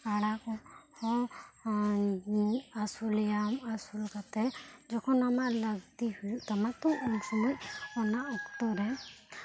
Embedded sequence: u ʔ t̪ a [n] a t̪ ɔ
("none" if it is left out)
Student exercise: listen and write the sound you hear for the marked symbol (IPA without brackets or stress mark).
m